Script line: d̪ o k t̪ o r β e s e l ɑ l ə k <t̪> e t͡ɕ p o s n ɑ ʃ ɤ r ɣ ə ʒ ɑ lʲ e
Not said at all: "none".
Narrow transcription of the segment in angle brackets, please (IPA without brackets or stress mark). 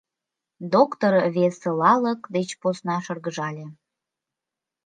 d̪